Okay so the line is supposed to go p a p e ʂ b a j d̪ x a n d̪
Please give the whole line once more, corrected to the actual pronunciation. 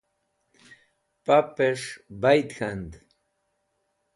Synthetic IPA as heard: p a p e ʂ b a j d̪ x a n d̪